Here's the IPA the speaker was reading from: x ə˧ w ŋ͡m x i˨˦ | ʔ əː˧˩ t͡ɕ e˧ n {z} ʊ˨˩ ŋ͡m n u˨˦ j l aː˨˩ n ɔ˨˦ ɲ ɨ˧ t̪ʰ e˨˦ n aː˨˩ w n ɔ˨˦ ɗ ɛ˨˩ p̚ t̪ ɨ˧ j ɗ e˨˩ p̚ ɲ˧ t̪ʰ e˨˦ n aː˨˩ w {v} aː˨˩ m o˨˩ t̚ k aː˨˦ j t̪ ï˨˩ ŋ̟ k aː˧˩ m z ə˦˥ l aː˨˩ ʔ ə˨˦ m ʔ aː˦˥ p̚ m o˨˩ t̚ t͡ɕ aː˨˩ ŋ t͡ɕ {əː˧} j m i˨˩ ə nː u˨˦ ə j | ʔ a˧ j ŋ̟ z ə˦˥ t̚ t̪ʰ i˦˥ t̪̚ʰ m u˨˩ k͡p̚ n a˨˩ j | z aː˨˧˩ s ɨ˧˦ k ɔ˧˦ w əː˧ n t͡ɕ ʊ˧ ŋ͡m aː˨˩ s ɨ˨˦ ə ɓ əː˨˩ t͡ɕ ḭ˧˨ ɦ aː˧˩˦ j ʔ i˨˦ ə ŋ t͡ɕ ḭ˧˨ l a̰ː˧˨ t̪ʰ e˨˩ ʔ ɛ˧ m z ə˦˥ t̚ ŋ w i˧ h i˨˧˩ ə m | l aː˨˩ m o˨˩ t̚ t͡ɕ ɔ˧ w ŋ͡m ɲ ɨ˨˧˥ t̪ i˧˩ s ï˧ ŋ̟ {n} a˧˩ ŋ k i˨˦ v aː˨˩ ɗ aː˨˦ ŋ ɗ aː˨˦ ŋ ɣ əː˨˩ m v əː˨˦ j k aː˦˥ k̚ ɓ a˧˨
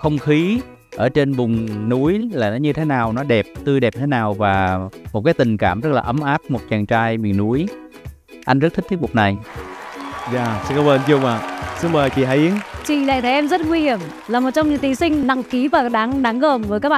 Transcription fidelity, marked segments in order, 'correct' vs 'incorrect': incorrect: v, correct, incorrect: aː˧, correct

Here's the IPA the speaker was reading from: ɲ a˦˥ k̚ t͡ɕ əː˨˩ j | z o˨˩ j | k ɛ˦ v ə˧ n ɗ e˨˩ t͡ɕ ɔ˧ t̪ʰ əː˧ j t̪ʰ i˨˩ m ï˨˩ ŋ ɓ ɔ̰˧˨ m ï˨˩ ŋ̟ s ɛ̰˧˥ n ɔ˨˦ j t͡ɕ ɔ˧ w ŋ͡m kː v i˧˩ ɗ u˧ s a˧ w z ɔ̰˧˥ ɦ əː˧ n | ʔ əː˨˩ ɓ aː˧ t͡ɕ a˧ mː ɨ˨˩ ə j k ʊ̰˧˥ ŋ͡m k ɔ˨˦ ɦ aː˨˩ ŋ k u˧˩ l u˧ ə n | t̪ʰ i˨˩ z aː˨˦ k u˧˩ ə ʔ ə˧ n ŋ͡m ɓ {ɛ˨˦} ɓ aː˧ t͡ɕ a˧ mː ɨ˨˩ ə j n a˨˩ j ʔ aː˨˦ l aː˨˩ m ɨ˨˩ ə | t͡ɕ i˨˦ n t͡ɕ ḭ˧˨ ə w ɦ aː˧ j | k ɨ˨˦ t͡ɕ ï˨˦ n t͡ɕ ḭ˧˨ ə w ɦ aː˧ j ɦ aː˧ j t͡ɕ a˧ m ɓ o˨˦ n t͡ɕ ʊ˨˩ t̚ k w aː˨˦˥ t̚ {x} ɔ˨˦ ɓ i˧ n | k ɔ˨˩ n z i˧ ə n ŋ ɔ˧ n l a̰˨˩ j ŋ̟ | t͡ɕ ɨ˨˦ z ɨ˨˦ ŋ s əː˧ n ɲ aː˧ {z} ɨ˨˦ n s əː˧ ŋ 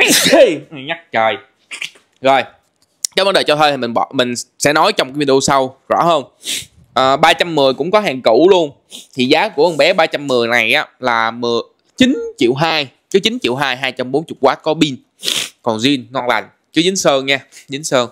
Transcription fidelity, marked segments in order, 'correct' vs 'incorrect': correct, incorrect: k, correct

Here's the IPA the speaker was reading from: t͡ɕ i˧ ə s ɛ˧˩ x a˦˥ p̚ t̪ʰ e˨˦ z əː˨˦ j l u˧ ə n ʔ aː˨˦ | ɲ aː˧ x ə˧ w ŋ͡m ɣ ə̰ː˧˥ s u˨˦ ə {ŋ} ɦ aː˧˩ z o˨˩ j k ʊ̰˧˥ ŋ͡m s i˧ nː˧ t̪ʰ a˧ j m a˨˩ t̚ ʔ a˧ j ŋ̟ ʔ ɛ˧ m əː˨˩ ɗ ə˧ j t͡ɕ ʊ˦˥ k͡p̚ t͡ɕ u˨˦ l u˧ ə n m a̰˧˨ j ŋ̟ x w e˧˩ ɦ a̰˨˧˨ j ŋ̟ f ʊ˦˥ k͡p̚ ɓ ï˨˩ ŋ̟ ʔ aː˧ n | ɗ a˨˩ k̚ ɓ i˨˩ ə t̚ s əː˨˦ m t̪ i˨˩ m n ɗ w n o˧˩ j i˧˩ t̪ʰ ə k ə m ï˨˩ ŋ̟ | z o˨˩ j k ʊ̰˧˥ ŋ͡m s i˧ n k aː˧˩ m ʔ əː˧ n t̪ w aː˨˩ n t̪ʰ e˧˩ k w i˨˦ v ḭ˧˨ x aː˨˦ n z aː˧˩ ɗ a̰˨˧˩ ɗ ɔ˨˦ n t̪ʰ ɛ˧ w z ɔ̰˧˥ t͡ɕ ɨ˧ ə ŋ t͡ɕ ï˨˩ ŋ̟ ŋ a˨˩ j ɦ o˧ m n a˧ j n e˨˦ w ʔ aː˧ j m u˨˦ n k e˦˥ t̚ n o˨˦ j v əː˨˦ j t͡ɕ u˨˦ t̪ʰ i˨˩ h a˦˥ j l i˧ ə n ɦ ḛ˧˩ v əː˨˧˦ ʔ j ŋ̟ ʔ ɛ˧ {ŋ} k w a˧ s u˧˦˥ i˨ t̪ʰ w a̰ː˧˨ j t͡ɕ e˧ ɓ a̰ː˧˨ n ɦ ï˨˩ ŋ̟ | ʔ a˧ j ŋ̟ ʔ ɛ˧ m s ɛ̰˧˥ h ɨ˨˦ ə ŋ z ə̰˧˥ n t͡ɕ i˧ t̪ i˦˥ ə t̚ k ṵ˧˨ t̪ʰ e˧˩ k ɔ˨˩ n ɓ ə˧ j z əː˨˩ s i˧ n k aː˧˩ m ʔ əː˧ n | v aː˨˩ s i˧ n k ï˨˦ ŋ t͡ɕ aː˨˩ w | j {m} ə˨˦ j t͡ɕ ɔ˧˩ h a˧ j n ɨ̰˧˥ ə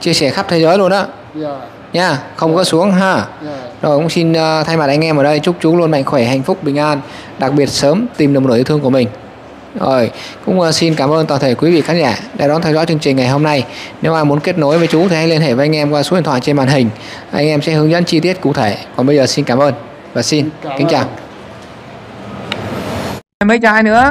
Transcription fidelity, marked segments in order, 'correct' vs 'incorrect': correct, incorrect: m, correct

